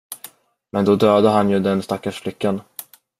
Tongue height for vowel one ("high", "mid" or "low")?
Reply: mid